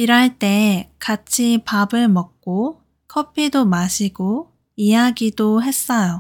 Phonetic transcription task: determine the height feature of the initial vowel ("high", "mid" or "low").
high